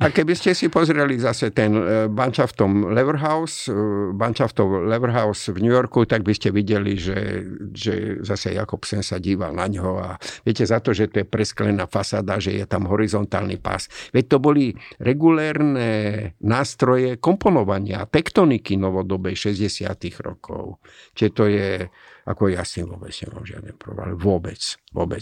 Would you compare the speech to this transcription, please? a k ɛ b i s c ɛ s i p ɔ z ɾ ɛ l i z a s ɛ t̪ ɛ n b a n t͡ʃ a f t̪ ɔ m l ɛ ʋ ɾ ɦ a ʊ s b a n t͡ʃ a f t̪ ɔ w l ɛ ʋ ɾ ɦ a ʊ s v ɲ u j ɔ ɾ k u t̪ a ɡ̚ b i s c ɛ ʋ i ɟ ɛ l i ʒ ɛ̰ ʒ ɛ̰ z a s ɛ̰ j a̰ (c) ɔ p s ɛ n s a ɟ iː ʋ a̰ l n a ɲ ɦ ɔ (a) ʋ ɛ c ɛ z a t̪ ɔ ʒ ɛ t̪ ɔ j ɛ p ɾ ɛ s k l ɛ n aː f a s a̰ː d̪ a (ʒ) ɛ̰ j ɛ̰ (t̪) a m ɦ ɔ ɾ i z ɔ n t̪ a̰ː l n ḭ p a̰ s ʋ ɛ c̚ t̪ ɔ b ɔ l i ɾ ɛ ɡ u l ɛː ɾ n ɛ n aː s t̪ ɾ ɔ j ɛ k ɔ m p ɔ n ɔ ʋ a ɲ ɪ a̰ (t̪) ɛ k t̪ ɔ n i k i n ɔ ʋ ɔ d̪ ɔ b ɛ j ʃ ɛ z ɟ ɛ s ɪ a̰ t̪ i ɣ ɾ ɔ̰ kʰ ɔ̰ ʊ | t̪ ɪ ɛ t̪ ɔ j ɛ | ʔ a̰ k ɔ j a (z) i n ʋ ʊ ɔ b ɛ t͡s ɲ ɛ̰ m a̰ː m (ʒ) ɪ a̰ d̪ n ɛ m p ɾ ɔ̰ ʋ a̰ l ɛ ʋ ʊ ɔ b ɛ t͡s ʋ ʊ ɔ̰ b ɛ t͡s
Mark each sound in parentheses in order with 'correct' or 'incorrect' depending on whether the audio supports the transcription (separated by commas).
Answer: incorrect, correct, correct, correct, correct, incorrect, correct